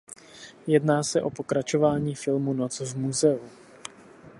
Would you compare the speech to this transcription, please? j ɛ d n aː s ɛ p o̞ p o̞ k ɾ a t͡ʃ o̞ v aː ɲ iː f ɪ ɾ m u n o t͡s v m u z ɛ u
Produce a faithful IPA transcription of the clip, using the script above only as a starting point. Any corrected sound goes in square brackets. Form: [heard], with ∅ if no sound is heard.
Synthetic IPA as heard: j ɛ d n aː s ɛ [ʔ] o̞ p o̞ k ɾ a t͡ʃ o̞ v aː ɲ iː f ɪ [l] m u n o t͡s v m u z ɛ u